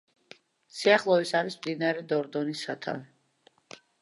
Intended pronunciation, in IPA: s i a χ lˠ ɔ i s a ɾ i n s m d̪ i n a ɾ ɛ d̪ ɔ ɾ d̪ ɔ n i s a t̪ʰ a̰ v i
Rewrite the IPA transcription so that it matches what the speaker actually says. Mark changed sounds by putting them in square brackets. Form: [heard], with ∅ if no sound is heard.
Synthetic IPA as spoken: s i a χ lˠ ɔ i s a ɾ i [∅] s m d̪ i n a ɾ ɛ d̪ ɔ ɾ d̪ ɔ n i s a t̪ʰ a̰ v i